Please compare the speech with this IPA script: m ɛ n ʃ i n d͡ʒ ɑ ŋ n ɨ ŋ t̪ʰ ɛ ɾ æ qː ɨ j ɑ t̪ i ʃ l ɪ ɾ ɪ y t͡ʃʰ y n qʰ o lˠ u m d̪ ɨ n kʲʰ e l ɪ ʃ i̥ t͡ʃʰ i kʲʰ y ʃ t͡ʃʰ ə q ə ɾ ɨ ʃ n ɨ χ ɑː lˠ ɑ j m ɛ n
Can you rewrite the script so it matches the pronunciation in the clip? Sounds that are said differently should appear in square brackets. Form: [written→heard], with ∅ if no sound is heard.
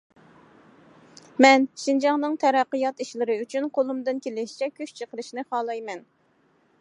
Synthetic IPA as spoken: m ɛ n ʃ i n d͡ʒ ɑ ŋ n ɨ ŋ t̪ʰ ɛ ɾ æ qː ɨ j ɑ t̪ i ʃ l ɪ ɾ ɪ y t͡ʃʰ y n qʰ o lˠ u m d̪ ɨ n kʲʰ e l ɪ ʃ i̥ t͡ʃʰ [i→ɛ] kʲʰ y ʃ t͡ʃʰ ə q ə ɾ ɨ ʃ n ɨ χ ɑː lˠ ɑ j m ɛ n